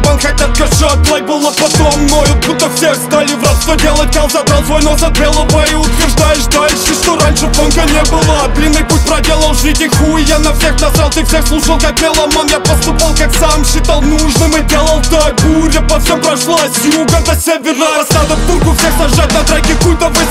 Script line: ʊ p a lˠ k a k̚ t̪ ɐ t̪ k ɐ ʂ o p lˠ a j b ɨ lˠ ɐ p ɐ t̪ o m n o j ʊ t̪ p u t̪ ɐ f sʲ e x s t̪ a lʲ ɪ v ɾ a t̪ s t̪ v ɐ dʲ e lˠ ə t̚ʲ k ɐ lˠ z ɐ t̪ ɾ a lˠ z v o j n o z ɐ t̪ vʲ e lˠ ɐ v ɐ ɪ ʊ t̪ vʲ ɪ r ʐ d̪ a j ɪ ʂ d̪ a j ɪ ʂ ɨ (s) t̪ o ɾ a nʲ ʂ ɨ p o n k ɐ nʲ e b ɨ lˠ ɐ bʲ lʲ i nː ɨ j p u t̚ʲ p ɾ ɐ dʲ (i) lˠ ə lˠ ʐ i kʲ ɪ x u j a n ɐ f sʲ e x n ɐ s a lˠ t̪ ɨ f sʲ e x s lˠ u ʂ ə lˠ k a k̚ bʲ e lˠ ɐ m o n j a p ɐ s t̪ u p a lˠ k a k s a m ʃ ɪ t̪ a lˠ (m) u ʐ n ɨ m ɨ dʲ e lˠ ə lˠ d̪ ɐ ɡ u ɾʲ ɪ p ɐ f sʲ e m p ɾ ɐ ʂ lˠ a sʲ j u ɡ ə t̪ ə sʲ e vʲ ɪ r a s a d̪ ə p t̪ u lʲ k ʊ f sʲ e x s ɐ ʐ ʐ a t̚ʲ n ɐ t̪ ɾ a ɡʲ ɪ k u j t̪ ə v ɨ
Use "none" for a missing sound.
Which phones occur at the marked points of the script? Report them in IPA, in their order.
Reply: ʂ, e, n

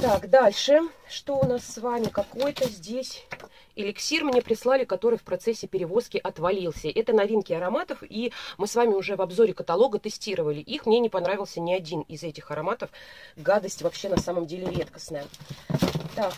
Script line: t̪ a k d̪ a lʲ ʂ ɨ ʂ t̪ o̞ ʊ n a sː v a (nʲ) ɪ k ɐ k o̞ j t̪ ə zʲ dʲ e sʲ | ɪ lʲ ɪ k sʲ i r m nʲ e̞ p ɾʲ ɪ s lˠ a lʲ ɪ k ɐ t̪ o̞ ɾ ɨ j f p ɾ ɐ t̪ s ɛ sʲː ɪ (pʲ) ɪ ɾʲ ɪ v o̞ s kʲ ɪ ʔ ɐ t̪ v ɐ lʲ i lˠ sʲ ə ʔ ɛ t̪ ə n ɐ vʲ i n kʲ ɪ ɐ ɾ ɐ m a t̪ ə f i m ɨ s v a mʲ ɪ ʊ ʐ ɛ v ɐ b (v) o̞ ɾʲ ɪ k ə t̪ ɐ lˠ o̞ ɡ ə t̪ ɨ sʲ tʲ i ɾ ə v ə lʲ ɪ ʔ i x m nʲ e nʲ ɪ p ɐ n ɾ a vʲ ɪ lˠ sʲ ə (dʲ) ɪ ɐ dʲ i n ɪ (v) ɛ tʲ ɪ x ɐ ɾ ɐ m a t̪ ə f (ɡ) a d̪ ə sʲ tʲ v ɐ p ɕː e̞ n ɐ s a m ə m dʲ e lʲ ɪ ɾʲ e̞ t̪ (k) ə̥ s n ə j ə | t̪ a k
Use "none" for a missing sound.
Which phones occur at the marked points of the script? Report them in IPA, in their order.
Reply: mʲ, pʲ, z, nʲ, z, ɡ, k

